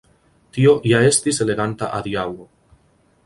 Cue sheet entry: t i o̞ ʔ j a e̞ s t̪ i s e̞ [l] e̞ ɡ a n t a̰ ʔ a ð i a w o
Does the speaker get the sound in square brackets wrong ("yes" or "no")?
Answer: no